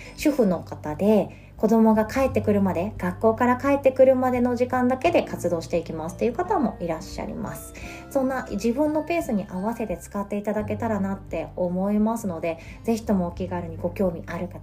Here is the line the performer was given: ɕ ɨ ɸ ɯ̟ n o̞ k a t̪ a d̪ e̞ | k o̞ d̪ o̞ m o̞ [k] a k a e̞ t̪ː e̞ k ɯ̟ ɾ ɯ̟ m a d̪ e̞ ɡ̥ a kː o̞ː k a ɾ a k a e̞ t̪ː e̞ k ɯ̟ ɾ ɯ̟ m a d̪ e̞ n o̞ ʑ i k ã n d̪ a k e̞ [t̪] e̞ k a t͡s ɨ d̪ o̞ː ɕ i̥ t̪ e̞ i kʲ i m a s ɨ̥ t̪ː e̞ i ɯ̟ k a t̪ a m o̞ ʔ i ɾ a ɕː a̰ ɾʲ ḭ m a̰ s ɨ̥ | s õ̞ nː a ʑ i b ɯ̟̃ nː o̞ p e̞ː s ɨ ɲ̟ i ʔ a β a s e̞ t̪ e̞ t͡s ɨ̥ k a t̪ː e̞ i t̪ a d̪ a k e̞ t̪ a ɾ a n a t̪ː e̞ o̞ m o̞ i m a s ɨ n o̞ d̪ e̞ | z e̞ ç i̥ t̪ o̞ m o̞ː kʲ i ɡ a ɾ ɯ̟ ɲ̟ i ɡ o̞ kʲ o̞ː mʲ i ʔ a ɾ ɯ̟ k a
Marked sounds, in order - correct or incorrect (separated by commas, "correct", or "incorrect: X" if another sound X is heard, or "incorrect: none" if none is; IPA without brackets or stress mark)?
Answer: incorrect: ɡ, incorrect: d̪